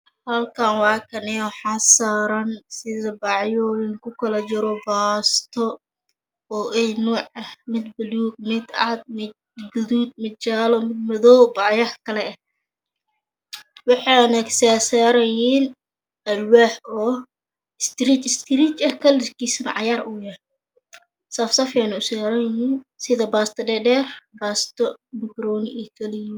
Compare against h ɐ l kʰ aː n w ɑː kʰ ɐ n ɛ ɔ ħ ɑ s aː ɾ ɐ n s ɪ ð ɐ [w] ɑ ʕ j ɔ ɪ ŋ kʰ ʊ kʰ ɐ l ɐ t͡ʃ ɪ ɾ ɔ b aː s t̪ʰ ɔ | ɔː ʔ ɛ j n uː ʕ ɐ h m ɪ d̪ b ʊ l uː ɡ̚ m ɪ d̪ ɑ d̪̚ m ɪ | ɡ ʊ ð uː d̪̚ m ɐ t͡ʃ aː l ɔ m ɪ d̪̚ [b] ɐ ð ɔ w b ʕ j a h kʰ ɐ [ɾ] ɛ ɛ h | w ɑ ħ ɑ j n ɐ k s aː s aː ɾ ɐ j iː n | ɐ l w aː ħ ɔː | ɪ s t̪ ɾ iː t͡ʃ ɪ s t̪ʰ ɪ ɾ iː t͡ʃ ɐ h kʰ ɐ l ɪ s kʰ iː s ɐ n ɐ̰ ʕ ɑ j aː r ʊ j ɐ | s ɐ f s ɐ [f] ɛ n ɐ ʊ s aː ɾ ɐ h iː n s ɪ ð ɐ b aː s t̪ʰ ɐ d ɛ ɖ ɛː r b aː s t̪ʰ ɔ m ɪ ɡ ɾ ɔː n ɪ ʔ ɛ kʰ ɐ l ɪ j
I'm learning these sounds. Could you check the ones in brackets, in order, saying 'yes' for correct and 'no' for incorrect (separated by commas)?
no, no, no, yes